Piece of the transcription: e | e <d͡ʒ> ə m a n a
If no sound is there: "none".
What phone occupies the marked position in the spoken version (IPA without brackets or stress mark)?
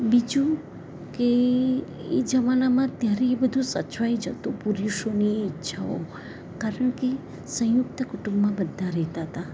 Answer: d͡ʒ